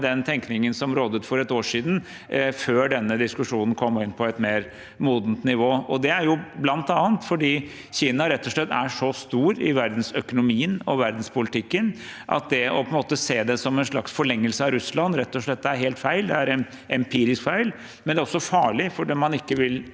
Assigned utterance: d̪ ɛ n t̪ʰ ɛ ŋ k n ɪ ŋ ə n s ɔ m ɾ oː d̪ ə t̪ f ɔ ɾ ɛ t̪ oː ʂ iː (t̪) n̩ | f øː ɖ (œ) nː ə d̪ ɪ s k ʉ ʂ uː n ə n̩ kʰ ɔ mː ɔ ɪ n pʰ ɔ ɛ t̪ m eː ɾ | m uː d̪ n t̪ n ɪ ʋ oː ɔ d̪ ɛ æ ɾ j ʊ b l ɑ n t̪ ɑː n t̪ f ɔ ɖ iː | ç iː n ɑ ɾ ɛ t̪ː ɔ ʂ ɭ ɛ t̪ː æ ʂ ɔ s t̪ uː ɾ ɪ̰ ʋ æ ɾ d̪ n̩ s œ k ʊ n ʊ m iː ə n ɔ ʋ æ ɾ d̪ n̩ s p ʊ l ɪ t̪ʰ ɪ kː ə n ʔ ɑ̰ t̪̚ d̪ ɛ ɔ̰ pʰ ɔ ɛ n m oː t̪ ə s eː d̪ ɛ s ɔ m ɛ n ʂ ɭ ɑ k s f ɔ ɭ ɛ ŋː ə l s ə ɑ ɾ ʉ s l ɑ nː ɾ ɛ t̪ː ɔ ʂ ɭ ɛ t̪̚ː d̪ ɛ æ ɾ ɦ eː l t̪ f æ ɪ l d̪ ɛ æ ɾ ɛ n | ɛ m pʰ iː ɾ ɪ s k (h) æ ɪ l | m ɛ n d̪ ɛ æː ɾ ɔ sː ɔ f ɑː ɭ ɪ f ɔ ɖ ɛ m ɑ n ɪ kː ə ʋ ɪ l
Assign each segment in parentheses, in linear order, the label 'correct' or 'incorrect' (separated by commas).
incorrect, incorrect, incorrect